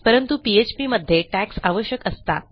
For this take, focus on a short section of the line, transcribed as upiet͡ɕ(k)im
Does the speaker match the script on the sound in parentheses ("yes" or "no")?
no